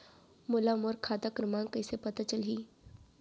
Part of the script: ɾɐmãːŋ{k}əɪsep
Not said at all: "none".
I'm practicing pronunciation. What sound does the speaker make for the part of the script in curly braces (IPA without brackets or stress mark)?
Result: k